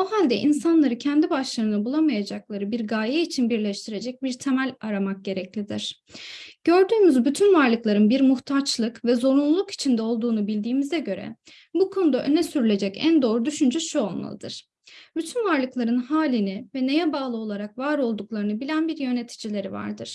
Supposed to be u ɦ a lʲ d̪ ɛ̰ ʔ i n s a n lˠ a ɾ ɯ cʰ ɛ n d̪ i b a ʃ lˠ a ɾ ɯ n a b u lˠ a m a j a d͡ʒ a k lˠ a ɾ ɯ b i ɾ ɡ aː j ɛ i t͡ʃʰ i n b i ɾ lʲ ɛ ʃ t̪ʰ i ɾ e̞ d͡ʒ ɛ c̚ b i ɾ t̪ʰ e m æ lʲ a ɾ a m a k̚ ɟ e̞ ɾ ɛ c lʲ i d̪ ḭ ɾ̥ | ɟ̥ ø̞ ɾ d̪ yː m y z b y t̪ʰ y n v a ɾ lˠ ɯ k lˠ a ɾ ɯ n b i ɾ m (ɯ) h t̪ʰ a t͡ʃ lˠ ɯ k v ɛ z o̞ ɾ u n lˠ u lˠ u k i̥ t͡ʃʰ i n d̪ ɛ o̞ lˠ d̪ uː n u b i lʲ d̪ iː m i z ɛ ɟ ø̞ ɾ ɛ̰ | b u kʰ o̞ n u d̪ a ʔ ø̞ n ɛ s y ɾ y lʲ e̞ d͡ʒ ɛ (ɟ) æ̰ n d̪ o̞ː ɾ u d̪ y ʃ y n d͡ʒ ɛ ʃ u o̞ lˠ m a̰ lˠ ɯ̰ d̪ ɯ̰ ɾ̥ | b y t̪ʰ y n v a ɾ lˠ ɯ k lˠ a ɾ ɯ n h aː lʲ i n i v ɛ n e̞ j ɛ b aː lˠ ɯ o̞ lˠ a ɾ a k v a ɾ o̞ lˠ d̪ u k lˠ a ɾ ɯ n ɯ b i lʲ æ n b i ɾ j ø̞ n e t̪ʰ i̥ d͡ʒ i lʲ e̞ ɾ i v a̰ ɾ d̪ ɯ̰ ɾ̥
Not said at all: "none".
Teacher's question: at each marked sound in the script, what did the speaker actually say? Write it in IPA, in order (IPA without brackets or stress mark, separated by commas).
u, c